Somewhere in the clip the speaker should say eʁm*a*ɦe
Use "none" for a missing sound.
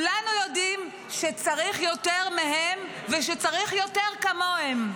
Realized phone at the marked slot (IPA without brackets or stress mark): e